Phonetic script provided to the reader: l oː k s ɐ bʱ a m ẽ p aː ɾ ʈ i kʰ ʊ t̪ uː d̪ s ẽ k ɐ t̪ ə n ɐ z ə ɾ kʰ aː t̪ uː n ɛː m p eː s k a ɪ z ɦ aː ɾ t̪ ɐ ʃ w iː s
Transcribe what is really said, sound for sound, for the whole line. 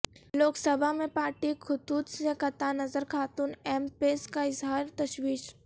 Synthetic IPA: l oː k s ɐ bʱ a m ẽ p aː ɾ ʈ i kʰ ʊ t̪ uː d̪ s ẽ k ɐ t̪ a n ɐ z ə ɾ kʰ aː t̪ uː n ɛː m p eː s k a ɪ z ɦ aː ɾ t̪ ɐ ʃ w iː ʃ